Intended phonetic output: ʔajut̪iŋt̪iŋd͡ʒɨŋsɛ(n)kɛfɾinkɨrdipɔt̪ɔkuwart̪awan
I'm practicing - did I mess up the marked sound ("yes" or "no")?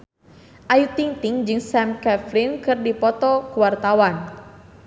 yes